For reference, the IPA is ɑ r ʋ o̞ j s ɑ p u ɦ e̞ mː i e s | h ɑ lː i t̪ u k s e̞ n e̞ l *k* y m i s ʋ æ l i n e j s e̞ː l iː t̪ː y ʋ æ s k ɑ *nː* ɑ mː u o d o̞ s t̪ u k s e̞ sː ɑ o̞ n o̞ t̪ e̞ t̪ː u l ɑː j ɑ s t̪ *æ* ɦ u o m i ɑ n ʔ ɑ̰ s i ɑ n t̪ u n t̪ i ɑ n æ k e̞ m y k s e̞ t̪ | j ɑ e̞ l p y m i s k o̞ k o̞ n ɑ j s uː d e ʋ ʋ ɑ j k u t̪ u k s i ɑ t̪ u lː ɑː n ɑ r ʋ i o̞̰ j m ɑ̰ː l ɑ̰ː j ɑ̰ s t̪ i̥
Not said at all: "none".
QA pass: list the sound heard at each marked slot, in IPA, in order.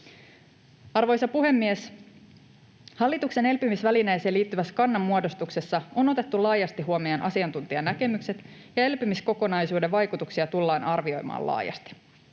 p, nː, i

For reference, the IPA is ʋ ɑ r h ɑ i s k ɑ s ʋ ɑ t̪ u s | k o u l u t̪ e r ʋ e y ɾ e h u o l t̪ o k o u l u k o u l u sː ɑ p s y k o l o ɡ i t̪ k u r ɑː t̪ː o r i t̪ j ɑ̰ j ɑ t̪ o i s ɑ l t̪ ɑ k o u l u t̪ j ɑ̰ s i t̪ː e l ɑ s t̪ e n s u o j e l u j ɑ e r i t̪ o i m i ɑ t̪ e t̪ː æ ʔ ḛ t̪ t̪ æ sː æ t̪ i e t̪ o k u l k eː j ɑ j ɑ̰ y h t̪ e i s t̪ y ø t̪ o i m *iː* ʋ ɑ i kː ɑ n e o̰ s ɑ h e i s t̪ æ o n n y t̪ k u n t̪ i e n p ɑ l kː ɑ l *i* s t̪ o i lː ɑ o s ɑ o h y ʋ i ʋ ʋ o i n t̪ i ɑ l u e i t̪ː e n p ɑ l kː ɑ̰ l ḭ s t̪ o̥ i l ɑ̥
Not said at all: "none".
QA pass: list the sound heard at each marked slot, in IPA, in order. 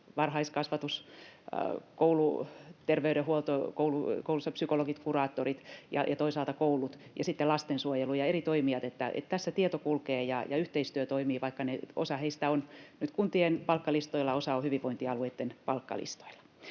iː, i

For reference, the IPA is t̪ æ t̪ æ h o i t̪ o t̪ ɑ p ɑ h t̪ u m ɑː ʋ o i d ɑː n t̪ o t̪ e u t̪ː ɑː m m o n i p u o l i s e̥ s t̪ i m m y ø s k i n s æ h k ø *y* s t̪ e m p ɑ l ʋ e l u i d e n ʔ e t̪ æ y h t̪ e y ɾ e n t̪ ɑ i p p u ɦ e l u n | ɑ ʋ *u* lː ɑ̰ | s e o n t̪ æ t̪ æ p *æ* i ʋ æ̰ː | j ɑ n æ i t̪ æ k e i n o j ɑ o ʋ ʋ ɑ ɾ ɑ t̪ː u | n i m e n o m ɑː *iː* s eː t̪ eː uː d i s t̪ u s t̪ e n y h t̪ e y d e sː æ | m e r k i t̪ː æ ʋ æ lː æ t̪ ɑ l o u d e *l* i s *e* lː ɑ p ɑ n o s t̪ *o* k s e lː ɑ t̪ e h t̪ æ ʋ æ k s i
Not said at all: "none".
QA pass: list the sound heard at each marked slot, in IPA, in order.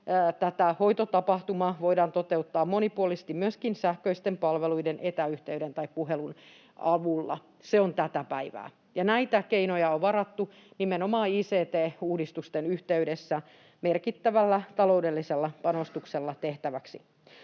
i, u, æ, iː, lː, e, u

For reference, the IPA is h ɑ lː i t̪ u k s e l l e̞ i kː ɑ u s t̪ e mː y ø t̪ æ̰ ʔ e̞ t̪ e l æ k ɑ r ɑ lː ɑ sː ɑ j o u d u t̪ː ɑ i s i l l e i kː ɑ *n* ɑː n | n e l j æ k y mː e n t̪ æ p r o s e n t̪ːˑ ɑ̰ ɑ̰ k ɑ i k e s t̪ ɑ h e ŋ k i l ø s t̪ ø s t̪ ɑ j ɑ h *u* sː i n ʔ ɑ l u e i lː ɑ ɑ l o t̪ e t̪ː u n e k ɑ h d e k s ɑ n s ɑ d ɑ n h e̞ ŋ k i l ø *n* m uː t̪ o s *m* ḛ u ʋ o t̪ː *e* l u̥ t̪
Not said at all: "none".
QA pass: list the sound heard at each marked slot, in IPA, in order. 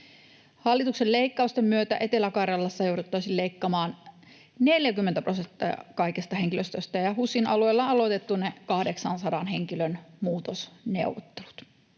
m, u, n, n, e

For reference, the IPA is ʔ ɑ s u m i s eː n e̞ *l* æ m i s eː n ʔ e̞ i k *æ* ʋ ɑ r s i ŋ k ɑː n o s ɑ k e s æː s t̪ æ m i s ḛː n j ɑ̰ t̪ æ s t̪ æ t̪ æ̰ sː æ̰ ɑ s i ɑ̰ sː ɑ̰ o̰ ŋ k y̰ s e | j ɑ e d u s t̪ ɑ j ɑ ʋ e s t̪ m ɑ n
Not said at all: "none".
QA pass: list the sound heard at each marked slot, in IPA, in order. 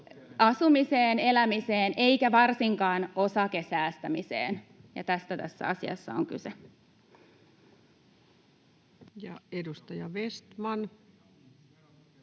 l, æ

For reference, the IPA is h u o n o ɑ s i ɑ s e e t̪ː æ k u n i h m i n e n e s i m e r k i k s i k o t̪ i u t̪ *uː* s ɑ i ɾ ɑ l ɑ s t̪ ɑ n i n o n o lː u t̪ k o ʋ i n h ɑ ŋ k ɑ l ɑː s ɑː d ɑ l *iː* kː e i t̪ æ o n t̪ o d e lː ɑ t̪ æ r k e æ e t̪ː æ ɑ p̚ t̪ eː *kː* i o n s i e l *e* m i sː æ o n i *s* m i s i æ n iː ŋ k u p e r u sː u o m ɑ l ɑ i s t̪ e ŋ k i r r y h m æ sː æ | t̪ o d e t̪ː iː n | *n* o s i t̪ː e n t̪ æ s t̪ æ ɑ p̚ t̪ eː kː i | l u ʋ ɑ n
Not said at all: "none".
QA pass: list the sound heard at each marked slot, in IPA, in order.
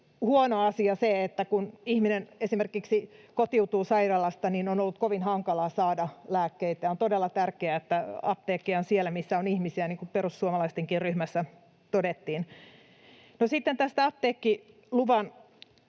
uː, æː, kː, æ, h, n

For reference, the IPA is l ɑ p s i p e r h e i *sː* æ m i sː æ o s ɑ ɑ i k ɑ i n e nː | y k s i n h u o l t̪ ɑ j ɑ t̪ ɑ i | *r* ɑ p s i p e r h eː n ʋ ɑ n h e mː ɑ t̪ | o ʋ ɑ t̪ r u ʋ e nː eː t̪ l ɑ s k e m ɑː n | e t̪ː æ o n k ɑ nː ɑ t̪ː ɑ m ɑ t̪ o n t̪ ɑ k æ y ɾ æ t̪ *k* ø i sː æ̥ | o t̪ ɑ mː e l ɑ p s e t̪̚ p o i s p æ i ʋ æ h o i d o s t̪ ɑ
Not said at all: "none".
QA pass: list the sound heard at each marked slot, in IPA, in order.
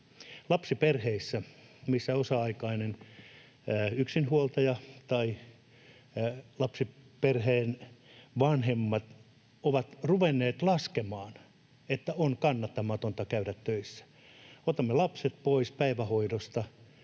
sː, l, t

